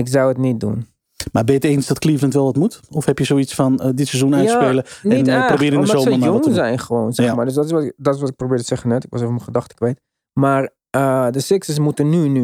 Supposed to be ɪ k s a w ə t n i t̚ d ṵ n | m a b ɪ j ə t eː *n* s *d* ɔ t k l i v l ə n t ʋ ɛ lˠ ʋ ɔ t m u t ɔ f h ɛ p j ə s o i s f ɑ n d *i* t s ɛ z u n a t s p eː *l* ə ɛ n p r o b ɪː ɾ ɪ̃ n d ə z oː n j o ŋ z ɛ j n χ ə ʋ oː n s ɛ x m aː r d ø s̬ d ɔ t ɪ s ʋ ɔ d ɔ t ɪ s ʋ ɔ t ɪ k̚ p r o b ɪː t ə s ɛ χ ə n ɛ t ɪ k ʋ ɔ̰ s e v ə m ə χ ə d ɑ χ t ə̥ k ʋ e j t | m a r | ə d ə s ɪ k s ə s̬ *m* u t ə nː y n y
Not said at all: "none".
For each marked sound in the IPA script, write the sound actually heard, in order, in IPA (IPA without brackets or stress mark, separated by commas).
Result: n, d, ɪ, l, m